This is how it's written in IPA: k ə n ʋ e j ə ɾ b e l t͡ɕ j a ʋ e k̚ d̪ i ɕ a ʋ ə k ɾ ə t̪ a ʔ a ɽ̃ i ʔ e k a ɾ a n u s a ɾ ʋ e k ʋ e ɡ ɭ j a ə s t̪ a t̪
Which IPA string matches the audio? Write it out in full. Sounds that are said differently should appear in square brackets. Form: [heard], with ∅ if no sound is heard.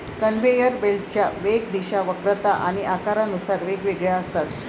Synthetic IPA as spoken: k ə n ʋ e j ə ɾ b e l t͡ɕ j a ʋ e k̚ d̪ i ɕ a ʋ ə k ɾ ə t̪ a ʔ a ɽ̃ i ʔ [a] k a ɾ a n u s a ɾ ʋ e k ʋ e ɡ ɭ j a ə s t̪ a t̪